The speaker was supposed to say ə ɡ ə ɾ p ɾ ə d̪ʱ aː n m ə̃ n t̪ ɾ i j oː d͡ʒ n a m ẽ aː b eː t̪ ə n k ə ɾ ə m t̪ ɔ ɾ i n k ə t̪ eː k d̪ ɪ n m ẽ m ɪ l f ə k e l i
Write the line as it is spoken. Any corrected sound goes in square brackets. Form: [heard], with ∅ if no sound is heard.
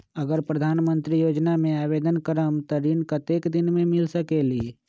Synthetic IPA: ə ɡ ə ɾ p ɾ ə d̪ʱ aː n m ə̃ n t̪ ɾ i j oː d͡ʒ n a m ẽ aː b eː [d̪] ə n k ə ɾ ə m t̪ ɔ ɾ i n k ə t̪ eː k d̪ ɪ n m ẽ m ɪ l [s] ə k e l i

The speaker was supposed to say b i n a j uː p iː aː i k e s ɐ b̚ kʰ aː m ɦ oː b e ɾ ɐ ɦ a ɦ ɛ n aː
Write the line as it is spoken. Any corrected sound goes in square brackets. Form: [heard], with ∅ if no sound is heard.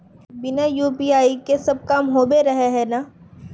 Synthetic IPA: b [ɪ] n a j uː p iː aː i k e s ɐ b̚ [k] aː m ɦ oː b e ɾ ɐ ɦ [e] ɦ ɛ n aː

